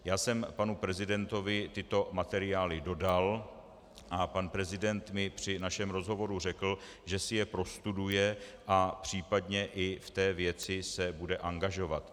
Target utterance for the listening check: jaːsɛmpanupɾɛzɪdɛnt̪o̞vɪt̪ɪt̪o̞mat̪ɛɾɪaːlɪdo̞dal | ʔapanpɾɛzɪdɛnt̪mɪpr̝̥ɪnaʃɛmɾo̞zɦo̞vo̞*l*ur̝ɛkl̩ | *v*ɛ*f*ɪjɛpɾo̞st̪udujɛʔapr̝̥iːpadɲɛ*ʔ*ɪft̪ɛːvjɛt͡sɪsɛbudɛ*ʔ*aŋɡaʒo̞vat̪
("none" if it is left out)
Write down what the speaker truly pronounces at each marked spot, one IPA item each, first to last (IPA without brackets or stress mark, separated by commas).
ɾ, ʒ, s, ʔ, ʔ